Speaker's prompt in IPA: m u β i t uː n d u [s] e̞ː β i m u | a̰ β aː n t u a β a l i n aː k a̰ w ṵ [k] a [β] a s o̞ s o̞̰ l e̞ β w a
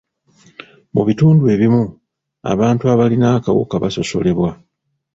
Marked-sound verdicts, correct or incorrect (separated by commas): incorrect, correct, correct